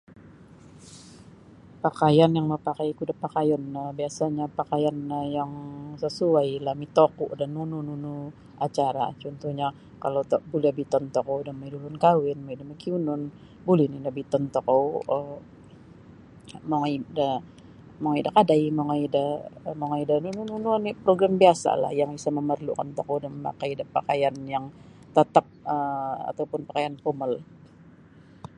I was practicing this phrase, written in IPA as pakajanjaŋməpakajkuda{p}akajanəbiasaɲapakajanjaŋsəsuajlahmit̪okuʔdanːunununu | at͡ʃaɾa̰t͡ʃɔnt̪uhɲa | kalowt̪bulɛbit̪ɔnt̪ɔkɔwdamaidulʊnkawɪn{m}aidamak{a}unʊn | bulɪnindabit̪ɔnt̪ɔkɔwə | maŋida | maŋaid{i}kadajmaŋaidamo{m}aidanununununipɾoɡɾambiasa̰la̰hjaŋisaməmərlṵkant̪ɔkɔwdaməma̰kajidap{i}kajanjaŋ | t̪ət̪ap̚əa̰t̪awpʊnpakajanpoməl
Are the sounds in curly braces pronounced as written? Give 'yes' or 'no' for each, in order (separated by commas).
yes, yes, no, no, no, no